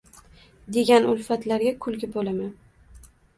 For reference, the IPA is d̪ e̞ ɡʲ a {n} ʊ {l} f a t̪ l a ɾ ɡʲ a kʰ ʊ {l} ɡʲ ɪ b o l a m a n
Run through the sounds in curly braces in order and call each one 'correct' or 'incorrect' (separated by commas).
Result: correct, correct, correct